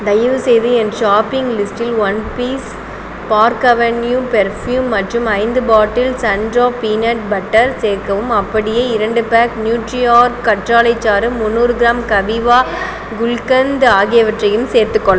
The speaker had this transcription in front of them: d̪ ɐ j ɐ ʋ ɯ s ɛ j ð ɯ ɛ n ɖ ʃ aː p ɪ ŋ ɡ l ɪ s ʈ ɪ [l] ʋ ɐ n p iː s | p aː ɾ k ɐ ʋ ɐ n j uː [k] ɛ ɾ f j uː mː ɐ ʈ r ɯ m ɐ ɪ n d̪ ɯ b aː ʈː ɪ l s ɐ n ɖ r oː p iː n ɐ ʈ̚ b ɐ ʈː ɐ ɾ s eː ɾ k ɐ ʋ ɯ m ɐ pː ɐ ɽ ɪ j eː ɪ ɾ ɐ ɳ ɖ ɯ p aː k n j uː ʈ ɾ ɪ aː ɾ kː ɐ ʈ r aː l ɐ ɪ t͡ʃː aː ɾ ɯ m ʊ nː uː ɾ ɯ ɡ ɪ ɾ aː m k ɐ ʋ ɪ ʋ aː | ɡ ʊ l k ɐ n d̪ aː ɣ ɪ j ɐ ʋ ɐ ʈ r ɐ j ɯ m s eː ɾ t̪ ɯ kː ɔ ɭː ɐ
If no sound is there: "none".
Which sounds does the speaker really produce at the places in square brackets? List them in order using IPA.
l, p

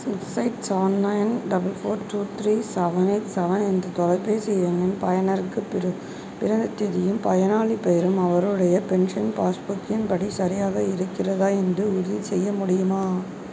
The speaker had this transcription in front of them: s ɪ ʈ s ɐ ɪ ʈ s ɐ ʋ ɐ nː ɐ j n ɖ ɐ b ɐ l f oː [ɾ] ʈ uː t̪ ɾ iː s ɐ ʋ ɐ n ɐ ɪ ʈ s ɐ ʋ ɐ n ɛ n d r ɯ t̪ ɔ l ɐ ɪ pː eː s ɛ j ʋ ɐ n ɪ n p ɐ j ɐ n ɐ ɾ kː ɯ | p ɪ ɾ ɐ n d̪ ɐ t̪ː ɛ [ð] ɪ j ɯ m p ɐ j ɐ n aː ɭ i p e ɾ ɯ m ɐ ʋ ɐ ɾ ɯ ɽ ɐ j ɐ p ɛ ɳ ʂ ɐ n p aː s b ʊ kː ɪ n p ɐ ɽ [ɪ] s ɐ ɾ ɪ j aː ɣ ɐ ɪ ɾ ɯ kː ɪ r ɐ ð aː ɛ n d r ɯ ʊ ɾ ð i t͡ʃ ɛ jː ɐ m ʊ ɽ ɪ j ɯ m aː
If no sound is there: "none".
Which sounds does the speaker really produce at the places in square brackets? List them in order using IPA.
ɾ, ð, i

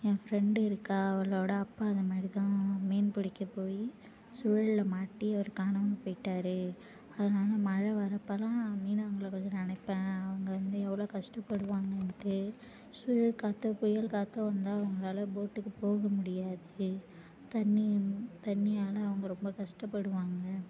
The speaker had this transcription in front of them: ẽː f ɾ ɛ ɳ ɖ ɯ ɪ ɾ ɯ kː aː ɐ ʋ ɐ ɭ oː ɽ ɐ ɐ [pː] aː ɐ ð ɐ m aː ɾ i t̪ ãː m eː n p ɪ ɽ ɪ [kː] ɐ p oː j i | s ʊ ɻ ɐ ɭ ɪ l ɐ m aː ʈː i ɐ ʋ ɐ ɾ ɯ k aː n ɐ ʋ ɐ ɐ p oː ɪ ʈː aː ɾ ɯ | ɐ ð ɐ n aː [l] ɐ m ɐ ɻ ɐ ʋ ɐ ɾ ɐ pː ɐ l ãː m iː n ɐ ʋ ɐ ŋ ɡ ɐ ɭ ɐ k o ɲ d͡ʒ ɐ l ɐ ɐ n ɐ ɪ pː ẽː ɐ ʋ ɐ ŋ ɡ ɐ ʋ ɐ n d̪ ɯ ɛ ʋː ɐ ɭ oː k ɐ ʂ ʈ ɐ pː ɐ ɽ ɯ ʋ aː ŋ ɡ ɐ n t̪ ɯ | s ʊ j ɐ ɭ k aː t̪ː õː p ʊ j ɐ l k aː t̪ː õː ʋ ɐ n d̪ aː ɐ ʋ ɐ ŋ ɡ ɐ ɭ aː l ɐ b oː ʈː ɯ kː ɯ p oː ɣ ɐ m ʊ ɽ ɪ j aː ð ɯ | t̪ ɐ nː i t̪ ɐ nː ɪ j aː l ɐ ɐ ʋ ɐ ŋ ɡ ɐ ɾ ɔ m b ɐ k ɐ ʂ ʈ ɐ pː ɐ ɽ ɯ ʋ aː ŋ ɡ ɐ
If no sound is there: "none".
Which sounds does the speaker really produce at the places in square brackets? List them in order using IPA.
pː, kː, l

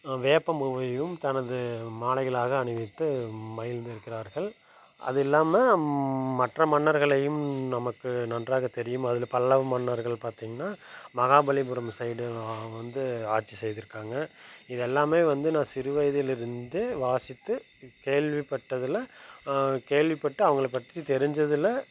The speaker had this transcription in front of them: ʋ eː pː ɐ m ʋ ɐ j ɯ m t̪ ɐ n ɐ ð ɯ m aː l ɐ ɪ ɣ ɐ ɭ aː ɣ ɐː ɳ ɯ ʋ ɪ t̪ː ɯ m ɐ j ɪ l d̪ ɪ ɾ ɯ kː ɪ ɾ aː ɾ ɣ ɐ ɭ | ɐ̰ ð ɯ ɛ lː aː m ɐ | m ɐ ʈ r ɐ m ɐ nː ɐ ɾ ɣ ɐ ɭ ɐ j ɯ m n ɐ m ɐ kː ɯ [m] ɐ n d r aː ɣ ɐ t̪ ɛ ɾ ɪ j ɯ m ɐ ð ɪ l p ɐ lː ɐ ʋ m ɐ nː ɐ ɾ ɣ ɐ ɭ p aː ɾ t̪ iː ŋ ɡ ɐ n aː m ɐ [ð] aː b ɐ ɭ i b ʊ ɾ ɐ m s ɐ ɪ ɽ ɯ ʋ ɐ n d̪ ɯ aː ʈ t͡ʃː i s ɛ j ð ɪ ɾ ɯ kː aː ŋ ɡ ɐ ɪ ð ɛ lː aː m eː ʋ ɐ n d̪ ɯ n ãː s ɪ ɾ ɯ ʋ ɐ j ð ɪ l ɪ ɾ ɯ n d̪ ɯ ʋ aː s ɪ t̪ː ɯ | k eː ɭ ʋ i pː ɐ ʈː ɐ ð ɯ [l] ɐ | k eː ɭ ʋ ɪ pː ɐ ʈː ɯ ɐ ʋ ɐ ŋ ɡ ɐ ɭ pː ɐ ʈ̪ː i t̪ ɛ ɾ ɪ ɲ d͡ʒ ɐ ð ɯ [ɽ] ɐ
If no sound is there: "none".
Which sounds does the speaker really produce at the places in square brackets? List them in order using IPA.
n, ɣ, l, l

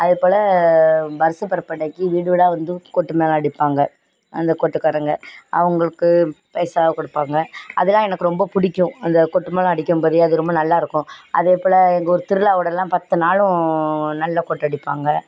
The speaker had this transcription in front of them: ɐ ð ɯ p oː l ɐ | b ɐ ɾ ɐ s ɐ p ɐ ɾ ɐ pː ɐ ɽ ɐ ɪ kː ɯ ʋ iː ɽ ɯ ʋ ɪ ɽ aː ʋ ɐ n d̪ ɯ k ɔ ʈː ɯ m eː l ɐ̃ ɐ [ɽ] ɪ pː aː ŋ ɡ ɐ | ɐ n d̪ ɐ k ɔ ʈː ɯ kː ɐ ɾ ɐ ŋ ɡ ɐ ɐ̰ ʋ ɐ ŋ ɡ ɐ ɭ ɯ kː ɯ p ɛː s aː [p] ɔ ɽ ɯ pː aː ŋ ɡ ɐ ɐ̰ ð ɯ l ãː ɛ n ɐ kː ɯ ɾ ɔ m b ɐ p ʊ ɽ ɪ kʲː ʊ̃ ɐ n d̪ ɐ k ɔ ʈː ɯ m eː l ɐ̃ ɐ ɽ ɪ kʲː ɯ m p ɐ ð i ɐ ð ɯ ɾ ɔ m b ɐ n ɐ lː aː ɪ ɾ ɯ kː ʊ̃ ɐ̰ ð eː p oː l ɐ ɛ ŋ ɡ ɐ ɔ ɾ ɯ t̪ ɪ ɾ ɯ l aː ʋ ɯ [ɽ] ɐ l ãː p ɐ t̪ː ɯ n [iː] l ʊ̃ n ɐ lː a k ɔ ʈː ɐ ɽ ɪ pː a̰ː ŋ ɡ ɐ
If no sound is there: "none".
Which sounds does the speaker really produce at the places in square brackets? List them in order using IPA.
ɽ, k, ɽ, aː

